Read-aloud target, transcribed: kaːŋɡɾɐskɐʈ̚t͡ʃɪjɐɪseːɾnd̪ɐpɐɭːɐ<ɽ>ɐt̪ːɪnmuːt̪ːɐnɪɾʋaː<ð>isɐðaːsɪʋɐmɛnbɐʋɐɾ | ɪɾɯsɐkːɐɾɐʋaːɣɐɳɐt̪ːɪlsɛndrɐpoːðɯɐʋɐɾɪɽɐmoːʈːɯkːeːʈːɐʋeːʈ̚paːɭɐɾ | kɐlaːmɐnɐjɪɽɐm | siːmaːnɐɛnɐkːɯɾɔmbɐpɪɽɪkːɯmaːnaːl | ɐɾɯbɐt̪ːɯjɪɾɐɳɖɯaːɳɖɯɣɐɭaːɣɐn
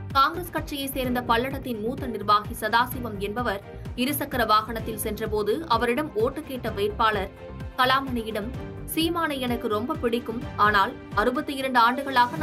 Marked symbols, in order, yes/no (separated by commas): yes, no